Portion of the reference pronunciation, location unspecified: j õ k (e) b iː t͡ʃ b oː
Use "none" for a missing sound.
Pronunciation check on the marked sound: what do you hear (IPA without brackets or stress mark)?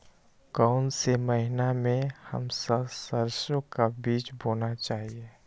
a